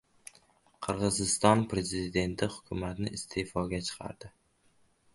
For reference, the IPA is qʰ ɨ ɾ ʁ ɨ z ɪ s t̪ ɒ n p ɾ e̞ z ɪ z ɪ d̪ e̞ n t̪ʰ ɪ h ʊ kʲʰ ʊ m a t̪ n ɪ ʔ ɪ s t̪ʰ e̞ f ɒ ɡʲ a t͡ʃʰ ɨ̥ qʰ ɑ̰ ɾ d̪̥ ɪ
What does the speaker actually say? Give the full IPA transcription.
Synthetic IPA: qʰ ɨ ɾ ʁ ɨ z ɪ s t̪ ɒ n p ɾ e̞ z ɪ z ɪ d̪ e̞ n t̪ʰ ɪ h ʊ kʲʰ ʊ m a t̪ n ɪ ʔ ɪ s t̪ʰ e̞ f ɒ ɡʲ a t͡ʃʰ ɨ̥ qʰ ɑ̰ ɾ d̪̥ ɪ